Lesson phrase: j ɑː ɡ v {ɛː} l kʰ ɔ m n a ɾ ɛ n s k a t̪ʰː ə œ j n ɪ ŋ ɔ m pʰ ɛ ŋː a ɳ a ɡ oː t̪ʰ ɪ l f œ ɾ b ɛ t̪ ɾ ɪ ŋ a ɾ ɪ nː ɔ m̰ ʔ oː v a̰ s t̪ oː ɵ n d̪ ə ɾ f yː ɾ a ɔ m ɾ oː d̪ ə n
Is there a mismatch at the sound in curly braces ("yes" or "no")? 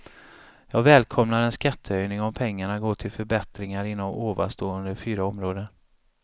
no